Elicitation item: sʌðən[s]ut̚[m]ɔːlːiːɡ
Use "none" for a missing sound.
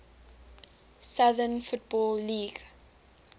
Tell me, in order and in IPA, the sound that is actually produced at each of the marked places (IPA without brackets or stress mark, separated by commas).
f, b